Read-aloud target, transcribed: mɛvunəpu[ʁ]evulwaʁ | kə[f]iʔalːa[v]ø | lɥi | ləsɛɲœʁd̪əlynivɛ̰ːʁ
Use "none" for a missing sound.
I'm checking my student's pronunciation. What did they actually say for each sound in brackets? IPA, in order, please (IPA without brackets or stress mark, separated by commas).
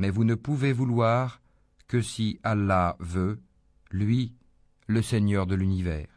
v, s, v